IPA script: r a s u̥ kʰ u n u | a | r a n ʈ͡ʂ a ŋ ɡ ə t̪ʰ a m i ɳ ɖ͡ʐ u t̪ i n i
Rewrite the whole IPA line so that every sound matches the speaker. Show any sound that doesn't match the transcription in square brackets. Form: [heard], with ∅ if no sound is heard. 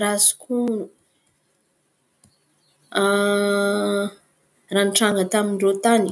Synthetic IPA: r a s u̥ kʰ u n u | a | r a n ʈ͡ʂ a ŋ ɡ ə [t̪] a m i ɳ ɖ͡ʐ [o] t̪ [a] n i